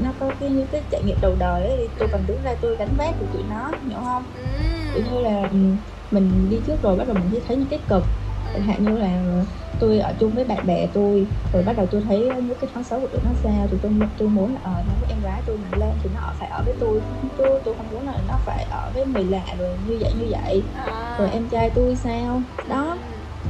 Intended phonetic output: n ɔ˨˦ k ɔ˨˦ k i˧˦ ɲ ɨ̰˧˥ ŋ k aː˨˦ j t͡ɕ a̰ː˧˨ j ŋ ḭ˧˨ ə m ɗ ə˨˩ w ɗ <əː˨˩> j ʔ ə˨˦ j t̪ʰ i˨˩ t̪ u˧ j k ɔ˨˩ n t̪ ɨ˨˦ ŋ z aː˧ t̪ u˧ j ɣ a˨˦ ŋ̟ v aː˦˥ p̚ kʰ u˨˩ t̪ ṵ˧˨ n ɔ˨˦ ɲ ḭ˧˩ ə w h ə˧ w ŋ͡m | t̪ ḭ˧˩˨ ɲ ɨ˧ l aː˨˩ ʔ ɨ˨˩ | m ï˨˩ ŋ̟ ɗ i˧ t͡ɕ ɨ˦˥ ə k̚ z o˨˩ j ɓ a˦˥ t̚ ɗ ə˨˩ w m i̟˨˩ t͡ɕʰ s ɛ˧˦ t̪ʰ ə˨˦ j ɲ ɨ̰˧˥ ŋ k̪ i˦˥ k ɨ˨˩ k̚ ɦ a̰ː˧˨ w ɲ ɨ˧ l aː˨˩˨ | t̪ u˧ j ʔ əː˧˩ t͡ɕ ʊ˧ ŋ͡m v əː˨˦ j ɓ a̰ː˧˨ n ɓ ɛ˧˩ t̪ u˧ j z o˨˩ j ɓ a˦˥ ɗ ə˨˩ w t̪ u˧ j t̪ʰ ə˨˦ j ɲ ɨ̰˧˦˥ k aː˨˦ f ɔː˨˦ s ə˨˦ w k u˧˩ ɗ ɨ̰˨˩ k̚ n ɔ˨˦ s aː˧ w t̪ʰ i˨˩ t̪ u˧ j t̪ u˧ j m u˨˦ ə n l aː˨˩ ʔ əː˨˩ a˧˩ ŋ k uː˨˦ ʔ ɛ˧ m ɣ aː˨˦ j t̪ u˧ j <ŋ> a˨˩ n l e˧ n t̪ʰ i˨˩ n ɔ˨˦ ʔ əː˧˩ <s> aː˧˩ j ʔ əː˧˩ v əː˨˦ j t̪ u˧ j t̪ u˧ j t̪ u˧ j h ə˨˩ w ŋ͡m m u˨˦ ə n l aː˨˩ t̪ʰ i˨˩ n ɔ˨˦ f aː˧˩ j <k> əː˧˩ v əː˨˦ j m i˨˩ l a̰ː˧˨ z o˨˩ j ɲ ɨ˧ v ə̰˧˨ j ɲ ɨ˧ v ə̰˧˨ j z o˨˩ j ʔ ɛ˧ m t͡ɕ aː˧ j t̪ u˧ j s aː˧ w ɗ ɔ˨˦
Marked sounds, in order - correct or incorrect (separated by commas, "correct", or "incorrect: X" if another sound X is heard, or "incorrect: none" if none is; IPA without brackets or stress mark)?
correct, incorrect: m, incorrect: f, incorrect: ʔ